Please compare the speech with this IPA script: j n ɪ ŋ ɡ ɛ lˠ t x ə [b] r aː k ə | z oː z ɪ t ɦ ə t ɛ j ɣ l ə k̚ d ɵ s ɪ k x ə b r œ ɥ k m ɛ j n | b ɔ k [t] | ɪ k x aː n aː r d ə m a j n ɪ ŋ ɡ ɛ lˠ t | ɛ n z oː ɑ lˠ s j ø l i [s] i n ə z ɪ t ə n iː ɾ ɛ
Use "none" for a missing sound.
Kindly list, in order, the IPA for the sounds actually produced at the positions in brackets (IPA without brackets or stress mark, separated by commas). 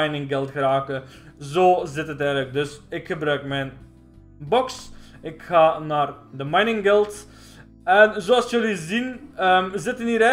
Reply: none, s, z